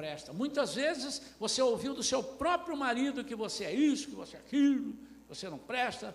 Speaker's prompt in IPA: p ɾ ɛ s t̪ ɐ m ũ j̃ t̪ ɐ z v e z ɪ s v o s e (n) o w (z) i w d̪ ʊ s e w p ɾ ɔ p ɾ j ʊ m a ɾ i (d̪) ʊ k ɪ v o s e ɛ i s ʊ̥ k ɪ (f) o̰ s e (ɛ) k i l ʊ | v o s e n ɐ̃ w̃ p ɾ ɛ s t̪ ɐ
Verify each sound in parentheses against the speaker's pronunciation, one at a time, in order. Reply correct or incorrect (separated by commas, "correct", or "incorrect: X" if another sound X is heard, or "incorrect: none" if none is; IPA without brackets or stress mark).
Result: incorrect: none, incorrect: v, correct, incorrect: v, correct